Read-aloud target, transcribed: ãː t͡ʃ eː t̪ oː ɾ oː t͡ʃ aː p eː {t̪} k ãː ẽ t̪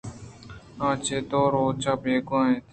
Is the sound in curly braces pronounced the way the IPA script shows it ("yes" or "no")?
no